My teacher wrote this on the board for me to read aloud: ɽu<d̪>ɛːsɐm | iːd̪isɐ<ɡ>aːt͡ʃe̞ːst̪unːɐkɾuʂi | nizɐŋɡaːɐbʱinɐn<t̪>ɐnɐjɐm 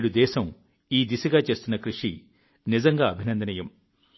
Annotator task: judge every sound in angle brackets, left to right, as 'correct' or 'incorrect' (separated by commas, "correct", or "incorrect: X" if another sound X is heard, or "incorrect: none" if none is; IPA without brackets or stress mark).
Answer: correct, correct, incorrect: d̪